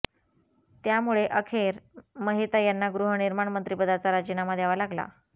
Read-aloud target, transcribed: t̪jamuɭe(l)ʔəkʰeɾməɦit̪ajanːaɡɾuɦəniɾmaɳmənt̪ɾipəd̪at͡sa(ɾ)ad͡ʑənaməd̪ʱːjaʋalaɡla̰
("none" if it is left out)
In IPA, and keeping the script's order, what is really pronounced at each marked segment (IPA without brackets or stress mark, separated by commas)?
none, ɾ